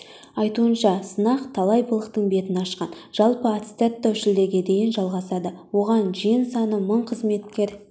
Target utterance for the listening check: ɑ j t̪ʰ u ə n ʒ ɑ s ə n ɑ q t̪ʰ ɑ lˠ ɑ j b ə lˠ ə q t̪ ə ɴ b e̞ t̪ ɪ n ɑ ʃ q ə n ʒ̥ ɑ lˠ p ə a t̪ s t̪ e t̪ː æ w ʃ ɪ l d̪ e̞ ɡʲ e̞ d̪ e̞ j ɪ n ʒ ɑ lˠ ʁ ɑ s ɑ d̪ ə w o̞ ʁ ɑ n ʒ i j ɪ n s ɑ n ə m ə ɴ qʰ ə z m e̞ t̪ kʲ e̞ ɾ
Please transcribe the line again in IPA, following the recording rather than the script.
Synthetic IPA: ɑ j t̪ u ə n ʃ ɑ s ə n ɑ q t̪ʰ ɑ lˠ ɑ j b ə lˠ ə q t̪ ə ɴ b e̞ t̪ ɪ n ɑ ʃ q ɑ n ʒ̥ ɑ lˠ p ə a t̪ s t̪ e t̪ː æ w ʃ ɪ l d̪ e̞ ɡʲ e̞ d̪ e̞ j ɪ n ʒ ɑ lˠ ʁ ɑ s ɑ d̪ ə w o̞ ʁ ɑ n ʒ i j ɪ n s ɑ n ə m ə ɴ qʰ ə z m e̞ t̪ kʲ e̞ ɾ